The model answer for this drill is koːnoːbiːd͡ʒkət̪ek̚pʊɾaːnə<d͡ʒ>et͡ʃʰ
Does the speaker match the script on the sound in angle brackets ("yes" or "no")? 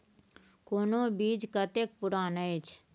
no